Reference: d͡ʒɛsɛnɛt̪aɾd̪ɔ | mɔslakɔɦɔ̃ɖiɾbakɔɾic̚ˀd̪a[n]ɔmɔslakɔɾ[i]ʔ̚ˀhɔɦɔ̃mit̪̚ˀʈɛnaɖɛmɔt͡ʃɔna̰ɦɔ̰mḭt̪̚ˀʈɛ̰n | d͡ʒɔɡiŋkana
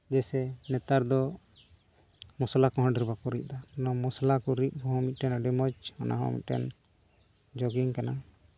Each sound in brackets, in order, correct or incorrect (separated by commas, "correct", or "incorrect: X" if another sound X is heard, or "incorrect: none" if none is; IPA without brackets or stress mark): correct, correct